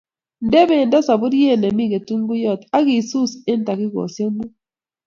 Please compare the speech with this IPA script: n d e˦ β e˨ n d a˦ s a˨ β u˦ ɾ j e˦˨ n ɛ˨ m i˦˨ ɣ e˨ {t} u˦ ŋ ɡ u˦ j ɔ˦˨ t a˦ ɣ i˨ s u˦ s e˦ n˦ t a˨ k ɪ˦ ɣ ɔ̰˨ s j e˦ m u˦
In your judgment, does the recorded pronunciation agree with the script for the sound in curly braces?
yes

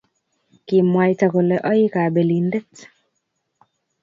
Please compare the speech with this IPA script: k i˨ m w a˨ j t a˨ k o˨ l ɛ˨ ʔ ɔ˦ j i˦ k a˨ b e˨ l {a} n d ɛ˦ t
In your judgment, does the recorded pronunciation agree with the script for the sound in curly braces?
no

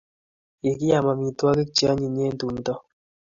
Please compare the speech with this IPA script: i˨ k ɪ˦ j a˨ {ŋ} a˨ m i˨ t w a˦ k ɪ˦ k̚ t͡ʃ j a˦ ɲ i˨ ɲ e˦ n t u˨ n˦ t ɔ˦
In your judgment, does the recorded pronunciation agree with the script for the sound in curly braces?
no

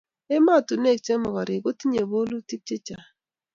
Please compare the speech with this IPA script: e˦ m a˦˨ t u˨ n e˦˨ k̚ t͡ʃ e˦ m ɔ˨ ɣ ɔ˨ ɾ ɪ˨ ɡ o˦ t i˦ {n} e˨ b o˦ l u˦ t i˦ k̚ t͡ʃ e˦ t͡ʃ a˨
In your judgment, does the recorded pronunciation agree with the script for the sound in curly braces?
no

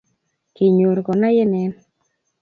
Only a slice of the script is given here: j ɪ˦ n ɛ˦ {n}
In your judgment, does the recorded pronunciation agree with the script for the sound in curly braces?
yes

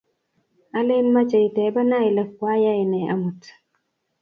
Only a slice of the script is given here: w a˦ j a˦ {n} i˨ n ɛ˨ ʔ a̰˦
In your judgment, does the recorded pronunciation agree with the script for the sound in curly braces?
no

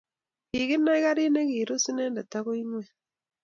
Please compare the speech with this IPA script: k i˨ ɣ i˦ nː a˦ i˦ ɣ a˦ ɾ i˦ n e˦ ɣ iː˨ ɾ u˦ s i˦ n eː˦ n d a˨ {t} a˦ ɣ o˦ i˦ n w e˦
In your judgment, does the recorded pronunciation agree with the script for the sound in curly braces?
yes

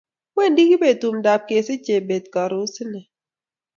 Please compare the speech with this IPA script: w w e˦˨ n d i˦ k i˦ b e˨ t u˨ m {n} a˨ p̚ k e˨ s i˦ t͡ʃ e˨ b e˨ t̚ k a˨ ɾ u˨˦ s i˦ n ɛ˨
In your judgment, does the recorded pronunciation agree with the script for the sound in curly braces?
no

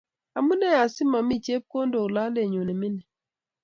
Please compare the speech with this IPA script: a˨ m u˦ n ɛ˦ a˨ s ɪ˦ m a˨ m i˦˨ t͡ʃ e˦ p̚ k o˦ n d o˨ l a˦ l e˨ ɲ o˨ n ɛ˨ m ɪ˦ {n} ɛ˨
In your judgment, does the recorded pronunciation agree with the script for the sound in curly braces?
yes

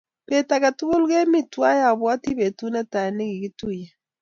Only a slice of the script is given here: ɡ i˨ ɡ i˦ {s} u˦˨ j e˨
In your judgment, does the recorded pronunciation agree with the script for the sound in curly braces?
no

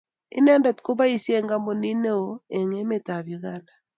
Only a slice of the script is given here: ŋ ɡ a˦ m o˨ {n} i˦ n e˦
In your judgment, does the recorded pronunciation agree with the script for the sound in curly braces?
yes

